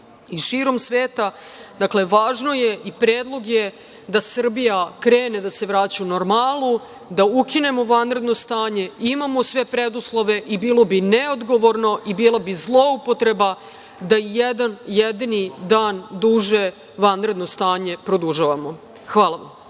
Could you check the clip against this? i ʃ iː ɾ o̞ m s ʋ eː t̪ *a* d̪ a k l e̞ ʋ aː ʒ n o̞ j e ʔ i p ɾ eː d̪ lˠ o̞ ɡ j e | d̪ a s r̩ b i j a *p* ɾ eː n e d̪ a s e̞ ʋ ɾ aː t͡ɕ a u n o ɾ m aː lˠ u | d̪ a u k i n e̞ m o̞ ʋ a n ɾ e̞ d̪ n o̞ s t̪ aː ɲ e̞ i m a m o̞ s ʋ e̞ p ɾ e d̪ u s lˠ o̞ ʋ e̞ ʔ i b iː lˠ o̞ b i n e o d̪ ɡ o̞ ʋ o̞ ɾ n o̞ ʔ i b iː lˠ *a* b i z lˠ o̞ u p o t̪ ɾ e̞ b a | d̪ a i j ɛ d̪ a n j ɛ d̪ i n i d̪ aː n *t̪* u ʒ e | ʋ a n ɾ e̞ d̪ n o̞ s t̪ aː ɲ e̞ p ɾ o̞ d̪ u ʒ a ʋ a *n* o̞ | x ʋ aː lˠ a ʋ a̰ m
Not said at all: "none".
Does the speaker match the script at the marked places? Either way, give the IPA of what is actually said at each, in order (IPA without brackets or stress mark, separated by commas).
a, k, a, d̪, m